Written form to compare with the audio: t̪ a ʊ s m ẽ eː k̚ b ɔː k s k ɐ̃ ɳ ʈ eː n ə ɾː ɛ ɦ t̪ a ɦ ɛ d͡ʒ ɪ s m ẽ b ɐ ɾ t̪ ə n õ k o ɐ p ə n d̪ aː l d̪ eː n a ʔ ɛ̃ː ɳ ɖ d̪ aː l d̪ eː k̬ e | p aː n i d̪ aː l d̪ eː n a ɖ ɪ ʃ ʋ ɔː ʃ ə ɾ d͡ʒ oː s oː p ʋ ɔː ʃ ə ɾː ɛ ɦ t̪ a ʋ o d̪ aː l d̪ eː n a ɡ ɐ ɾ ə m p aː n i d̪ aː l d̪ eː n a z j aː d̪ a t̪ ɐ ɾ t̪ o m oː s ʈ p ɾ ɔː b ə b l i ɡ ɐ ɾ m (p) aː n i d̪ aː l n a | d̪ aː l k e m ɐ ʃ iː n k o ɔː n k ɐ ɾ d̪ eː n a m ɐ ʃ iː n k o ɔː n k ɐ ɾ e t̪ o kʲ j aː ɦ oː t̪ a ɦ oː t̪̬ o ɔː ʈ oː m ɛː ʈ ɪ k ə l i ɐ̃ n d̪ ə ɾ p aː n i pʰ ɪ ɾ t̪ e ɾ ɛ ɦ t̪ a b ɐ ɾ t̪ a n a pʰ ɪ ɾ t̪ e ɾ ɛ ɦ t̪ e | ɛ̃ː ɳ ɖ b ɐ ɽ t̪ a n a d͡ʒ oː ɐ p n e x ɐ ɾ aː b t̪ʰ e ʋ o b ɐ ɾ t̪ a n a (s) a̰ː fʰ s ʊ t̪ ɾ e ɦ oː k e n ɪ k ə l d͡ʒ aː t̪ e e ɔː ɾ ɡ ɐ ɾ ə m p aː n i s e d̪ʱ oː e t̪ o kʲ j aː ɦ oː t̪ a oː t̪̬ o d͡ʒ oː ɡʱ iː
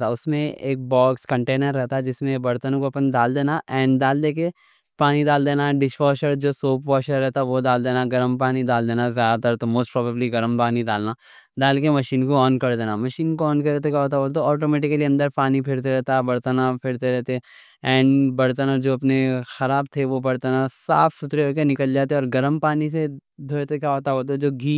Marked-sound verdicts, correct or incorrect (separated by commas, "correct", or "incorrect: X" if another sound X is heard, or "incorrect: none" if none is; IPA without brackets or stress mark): correct, correct